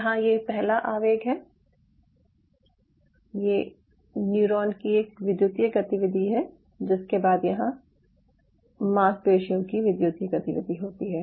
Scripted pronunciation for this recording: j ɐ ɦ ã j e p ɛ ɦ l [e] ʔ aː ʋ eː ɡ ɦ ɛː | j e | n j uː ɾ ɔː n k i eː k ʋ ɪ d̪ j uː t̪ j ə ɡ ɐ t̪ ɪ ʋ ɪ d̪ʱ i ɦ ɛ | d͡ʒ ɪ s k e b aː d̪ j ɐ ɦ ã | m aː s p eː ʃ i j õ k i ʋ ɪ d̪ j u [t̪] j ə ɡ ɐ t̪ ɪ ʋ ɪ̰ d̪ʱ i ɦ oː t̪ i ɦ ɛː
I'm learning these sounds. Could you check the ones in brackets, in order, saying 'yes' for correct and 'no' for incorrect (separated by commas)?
no, yes